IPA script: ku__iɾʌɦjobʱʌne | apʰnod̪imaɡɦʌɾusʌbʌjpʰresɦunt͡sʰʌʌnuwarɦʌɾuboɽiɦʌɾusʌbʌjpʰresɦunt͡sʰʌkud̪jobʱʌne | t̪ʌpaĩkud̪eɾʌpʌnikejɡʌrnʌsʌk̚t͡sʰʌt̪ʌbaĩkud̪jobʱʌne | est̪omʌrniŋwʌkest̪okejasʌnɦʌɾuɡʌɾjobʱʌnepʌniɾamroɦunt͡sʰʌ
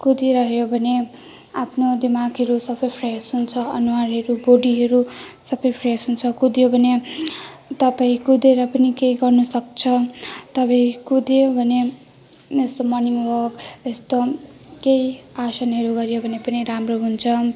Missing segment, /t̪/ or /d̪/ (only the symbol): d̪